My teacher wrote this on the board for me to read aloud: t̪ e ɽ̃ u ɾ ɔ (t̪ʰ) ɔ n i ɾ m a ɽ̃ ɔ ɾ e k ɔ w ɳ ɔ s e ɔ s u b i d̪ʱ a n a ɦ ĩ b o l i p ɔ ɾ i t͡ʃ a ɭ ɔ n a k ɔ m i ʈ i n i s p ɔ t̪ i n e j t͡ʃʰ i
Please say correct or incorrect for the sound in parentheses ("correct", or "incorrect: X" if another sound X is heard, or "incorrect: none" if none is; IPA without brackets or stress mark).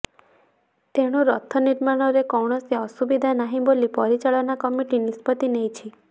correct